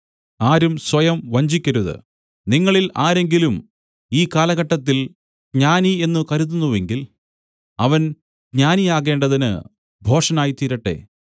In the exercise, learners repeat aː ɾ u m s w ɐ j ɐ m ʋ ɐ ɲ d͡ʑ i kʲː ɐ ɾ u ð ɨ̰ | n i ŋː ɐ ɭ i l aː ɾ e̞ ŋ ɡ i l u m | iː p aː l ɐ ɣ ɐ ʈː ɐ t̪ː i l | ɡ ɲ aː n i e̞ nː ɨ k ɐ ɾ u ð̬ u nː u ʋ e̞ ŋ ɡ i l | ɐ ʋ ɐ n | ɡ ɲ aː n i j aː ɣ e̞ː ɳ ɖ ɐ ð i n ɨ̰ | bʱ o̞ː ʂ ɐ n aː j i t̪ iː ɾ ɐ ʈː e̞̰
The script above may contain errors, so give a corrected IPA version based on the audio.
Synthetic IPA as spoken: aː ɾ u m s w ɐ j ɐ m ʋ ɐ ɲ d͡ʑ i kʲː ɐ ɾ u ð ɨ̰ | n i ŋː ɐ ɭ i l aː ɾ e̞ ŋ ɡ i l u m | iː k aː l ɐ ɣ ɐ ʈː ɐ t̪ː i l | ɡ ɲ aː n i e̞ nː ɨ k ɐ ɾ u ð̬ u nː u ʋ e̞ ŋ ɡ i l | ɐ ʋ ɐ n | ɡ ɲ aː n i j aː ɣ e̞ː ɳ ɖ ɐ ð i n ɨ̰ | bʱ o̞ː ʂ ɐ n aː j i t̪ iː ɾ ɐ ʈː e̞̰